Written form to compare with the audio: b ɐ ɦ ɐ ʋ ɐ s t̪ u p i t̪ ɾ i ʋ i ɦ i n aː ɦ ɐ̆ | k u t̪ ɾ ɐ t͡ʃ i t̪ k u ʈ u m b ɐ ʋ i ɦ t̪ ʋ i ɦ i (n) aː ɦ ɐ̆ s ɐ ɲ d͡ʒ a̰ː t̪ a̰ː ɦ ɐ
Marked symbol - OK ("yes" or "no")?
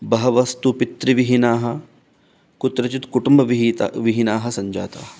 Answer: yes